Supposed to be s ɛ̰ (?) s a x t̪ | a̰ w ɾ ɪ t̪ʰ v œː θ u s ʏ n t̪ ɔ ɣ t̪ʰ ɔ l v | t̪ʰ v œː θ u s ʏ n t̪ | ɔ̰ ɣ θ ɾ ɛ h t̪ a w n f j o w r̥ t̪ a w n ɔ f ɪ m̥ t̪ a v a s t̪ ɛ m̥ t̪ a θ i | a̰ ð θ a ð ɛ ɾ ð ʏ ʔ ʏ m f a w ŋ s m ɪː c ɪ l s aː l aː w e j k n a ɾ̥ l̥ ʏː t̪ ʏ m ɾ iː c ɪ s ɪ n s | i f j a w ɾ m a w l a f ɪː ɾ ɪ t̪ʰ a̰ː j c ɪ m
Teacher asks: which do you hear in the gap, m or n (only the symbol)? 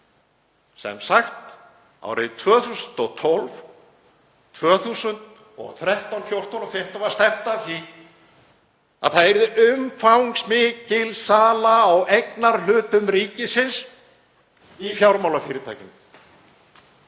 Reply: m